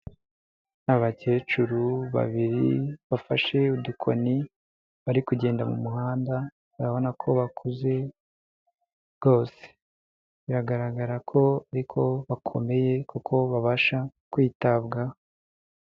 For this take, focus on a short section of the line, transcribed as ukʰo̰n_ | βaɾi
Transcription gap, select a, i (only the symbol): i